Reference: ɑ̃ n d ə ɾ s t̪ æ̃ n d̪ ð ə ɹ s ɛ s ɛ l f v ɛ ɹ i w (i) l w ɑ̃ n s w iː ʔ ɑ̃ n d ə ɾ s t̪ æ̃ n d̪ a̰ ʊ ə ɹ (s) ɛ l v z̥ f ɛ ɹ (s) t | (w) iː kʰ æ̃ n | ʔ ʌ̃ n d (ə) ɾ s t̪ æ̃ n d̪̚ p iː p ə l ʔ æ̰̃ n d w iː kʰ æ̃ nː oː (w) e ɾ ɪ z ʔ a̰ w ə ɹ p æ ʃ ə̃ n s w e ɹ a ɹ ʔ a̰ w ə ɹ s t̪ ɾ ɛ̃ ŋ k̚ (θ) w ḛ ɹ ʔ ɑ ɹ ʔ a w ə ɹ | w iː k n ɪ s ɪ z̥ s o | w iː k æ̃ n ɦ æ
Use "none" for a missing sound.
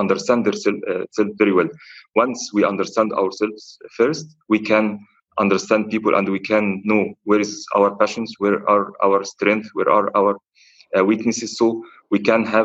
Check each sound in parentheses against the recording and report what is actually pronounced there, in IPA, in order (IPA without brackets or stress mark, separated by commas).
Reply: ɛ, s, s, w, ə, w, θ